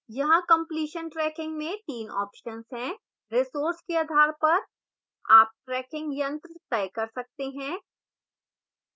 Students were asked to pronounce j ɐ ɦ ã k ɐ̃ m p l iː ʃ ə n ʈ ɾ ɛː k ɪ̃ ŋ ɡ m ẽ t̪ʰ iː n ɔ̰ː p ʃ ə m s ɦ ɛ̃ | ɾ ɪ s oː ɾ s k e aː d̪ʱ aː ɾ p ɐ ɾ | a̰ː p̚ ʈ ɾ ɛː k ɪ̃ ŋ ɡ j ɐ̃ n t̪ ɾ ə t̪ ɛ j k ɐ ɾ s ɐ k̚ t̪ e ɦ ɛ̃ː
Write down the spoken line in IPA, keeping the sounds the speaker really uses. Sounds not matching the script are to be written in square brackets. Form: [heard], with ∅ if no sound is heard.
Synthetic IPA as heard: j ɐ ɦ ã k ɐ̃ m p l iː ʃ ə n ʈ ɾ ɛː k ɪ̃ ŋ ɡ m ẽ [t̪] iː n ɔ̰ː p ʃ ə [n] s ɦ ɛ̃ | ɾ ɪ s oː ɾ s k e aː d̪ʱ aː ɾ p ɐ ɾ | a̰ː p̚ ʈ ɾ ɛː k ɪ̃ ŋ ɡ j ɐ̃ n t̪ ɾ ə t̪ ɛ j k ɐ ɾ s ɐ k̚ t̪ e ɦ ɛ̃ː

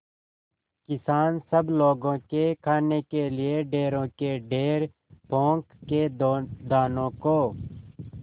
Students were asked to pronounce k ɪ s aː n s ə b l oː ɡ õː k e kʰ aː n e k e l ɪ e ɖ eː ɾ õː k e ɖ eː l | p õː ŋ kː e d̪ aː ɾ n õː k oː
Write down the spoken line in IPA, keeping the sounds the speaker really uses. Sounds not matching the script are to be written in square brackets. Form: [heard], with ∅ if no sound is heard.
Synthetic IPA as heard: k ɪ s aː n s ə b l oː ɡ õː k e kʰ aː n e k e l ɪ e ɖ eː ɾ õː k e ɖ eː [ɾ] | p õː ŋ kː e d̪ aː [∅] n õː k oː

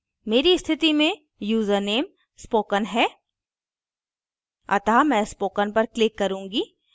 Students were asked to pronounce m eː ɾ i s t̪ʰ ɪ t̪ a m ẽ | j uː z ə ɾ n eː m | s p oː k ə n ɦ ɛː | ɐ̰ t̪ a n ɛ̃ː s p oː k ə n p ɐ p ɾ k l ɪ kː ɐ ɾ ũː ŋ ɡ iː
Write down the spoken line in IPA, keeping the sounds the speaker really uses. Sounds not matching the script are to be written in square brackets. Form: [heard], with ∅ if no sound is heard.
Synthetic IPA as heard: m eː ɾ i s t̪ʰ ɪ t̪ [i] m ẽ | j uː z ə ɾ n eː m | s p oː k ə n ɦ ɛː | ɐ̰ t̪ a [m] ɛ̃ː s p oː k ə n p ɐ [∅] ɾ k l ɪ kː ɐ ɾ ũː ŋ ɡ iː

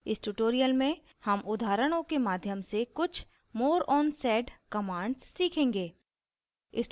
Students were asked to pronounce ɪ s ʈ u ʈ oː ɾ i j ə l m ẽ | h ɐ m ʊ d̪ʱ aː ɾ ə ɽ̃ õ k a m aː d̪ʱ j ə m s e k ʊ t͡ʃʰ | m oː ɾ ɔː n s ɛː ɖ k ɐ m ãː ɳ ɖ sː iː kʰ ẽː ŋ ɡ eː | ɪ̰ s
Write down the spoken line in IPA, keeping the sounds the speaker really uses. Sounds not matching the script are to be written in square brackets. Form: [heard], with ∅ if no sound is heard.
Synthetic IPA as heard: ɪ s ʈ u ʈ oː ɾ i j ə l m ẽ | h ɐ m ʊ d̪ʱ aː ɾ ə ɽ̃ õ k [e] m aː d̪ʱ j ə m s e k ʊ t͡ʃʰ | m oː ɾ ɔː n s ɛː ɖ k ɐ m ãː ɳ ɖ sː iː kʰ ẽː ŋ ɡ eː | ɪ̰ s

